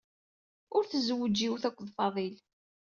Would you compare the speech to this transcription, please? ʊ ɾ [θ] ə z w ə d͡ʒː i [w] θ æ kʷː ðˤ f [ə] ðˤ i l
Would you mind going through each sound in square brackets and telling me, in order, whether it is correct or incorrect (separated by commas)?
correct, correct, incorrect